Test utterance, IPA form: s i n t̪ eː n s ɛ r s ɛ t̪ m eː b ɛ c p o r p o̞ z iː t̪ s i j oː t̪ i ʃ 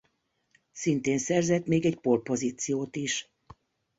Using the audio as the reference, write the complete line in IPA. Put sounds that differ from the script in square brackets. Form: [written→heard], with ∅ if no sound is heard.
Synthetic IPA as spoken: s i n t̪ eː n s ɛ r [s→z] ɛ t̪ m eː [b→ɡ] ɛ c p o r p o̞ z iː t̪ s i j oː t̪ i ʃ